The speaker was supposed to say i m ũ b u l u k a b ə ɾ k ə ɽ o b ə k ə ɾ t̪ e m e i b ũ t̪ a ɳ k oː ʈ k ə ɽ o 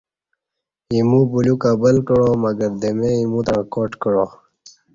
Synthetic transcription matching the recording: i m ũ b u l u k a b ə l k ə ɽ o m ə ɡ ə ɾ d̪ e m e i m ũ t̪ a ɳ k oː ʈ k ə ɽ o